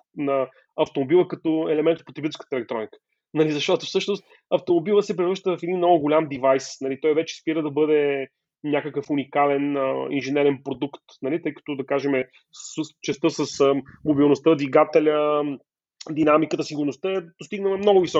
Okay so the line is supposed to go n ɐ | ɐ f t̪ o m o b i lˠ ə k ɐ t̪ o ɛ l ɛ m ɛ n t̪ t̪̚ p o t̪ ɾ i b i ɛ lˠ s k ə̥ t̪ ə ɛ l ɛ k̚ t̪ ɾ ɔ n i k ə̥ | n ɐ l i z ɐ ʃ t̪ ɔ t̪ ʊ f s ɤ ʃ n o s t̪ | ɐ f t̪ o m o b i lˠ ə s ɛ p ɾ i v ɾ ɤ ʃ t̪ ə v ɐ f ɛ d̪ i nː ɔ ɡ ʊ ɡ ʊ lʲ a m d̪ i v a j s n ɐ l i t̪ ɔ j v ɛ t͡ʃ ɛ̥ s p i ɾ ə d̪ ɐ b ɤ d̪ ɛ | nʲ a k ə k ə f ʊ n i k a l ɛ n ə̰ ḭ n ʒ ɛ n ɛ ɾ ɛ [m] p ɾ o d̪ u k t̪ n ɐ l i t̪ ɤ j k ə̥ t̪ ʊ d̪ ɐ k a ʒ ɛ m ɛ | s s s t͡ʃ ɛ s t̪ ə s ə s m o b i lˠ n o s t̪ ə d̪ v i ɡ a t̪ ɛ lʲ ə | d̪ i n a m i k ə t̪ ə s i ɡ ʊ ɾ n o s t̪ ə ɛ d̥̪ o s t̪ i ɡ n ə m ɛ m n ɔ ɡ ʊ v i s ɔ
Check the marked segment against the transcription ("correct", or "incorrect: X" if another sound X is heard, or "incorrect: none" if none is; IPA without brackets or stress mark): incorrect: n